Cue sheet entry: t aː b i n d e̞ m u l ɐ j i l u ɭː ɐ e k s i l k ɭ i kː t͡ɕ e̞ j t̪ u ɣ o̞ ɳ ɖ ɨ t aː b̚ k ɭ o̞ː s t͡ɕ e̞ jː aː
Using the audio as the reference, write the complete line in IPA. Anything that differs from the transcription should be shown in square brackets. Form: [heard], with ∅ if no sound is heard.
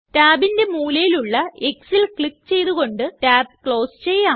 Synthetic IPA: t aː b i n d e̞ m [uː] l ɐ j i l u ɭː ɐ e k s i l k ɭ i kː t͡ɕ e̞ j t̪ u ɣ o̞ ɳ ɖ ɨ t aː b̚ k ɭ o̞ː s t͡ɕ e̞ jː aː